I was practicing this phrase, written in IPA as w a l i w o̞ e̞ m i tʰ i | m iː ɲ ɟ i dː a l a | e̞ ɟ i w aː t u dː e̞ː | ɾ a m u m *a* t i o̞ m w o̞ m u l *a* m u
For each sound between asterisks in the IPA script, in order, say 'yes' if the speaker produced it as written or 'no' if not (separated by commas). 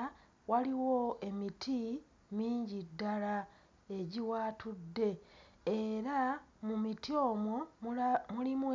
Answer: no, no